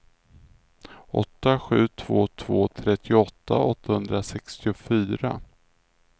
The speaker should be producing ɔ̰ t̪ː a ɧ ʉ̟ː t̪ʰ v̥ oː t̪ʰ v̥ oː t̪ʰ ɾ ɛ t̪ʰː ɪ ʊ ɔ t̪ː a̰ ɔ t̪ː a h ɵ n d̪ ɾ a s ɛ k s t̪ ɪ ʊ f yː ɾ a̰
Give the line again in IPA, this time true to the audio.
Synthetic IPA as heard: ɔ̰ t̪ː a ɧ ʉ̟ː t̪ʰ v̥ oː t̪ʰ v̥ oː t̪ʰ ɾ ɛ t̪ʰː ɪ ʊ ɔ t̪ː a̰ ɔ t̪ː a h ɵ n d̪ ɾ a s ɛ k s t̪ ɪ ʊ f yː ɾ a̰